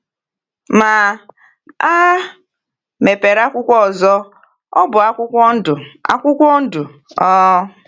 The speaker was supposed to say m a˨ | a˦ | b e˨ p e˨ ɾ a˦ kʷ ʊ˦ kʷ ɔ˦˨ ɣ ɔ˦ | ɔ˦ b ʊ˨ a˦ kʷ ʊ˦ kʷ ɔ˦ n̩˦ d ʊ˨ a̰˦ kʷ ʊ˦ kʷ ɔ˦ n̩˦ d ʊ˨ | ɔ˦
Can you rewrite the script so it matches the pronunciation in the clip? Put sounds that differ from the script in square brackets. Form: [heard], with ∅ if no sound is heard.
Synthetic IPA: m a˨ | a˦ | [m] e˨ p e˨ ɾ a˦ kʷ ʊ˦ kʷ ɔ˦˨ [z] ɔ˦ | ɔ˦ b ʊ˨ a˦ kʷ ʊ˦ kʷ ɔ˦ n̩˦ d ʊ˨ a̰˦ kʷ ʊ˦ kʷ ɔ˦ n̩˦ d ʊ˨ | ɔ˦